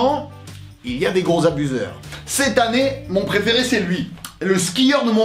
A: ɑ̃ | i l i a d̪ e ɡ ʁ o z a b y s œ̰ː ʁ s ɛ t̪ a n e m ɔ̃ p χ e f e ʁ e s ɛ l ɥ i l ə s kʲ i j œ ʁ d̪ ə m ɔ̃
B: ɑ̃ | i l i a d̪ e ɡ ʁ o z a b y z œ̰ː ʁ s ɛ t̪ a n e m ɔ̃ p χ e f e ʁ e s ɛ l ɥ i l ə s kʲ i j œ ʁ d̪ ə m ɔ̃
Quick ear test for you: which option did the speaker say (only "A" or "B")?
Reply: B